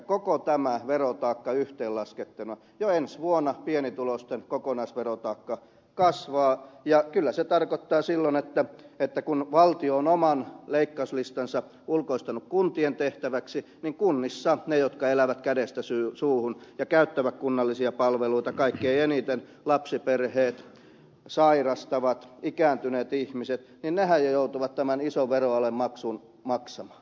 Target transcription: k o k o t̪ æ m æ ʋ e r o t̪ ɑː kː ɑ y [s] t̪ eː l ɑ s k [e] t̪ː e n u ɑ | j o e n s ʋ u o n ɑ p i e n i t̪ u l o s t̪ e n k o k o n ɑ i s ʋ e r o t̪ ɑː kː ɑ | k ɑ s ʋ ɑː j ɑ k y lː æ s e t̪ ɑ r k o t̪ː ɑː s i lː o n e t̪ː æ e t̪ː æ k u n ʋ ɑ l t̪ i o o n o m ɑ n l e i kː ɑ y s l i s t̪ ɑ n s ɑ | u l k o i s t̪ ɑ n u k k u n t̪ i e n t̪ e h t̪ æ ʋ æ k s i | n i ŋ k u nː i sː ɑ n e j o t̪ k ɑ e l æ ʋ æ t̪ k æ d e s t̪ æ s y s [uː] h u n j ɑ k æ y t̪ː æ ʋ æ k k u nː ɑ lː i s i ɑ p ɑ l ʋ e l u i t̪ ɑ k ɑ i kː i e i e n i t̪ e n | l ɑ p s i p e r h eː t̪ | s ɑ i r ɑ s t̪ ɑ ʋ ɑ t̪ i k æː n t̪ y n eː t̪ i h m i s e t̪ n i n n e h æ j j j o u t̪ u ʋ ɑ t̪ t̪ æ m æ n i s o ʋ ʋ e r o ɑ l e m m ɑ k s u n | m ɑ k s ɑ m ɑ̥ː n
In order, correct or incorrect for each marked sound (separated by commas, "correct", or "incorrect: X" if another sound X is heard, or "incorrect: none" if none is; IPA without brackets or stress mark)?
incorrect: h, correct, correct